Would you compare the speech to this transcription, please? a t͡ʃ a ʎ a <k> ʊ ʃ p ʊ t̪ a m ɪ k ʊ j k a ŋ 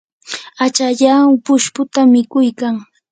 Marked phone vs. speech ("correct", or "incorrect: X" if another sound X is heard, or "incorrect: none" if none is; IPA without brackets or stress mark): incorrect: p